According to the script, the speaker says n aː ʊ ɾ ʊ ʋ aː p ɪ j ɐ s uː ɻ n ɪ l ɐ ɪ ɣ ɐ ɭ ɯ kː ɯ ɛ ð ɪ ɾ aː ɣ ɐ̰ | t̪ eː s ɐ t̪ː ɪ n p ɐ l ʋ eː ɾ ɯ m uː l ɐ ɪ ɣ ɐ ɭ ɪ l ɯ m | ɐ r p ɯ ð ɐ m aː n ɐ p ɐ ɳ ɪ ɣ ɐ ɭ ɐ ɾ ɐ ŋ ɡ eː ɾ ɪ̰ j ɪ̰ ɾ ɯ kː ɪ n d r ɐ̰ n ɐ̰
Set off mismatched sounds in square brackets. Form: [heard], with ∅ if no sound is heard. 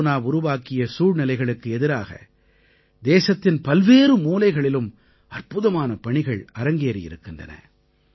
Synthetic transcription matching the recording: n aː ʊ ɾ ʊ ʋ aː [k] ɪ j ɐ s uː ɻ n ɪ l ɐ ɪ ɣ ɐ ɭ ɯ kː ɯ ɛ ð ɪ ɾ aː ɣ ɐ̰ | [d̪] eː s ɐ t̪ː ɪ n p ɐ l ʋ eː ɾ ɯ m uː l ɐ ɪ ɣ ɐ ɭ ɪ l ɯ m | ɐ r p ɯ ð ɐ m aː n ɐ p ɐ ɳ ɪ ɣ ɐ ɭ ɐ ɾ ɐ ŋ ɡ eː ɾ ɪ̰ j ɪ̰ ɾ ɯ kː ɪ n d r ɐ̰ n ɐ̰